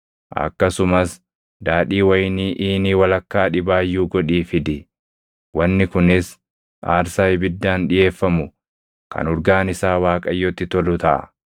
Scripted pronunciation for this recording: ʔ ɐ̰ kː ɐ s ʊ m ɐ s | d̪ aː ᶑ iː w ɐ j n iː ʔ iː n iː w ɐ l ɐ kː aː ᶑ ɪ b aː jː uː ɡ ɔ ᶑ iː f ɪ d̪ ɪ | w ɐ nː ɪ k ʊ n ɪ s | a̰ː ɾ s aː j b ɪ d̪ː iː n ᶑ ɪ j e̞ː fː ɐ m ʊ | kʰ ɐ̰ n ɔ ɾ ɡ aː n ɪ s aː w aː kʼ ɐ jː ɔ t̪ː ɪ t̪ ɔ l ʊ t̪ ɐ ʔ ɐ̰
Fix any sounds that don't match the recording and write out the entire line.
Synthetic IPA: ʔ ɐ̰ kː ɐ s ʊ m ɐ s | d̪ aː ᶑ iː w ɐ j n iː ʔ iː n iː w ɐ l ɐ kː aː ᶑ ɪ b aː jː uː ɡ ɔ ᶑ iː f ɪ d̪ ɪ | w ɐ nː ɪ k ʊ n ɪ s | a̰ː ɾ s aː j b ɪ d̪ː aː n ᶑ ɪ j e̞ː fː ɐ m ʊ | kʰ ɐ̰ n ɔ ɾ ɡ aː n ɪ s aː w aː kʼ ɐ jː ɔ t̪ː ɪ t̪ ɔ l ʊ t̪ ɐ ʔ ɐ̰